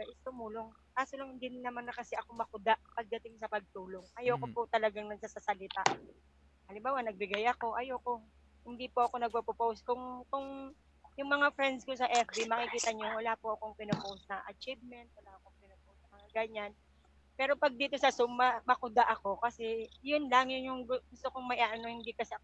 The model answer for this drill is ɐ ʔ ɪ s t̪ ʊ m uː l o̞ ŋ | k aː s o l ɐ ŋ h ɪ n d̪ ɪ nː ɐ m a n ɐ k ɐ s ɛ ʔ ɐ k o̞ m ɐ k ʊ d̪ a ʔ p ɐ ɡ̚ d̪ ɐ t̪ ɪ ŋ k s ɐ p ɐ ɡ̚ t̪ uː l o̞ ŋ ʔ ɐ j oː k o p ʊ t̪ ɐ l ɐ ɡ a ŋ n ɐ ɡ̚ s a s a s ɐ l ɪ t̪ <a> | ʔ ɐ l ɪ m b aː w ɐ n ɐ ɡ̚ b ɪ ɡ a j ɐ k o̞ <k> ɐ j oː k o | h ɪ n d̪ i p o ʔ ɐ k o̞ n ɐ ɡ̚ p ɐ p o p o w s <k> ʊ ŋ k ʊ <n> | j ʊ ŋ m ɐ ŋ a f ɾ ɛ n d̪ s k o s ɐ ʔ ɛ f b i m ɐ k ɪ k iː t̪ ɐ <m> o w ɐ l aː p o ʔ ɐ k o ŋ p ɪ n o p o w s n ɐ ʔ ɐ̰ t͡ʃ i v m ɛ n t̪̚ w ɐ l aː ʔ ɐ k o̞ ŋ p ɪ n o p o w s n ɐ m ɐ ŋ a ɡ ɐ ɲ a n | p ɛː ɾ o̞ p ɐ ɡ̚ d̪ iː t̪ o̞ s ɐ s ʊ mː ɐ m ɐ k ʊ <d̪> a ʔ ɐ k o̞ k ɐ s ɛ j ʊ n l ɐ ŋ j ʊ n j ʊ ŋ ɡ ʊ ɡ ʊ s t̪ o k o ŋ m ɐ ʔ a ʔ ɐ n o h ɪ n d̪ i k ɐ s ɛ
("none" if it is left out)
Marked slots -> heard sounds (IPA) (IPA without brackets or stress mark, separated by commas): a, ʔ, k, ŋ, ɲ, d̪